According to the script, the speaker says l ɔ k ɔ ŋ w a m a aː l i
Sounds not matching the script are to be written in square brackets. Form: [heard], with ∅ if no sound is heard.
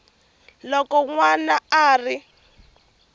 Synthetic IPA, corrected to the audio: l ɔ k ɔ ŋ w a [n] a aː [r] i